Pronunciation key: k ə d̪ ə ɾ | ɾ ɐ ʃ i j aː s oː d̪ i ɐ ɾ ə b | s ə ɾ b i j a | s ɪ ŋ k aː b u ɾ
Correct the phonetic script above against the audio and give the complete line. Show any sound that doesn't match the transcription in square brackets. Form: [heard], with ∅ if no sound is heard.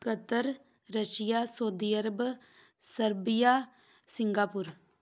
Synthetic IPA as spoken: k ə [t̪] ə ɾ | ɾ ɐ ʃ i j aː s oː d̪ i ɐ ɾ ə b | s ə ɾ b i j a | s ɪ ŋ [ɡ] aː [p] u ɾ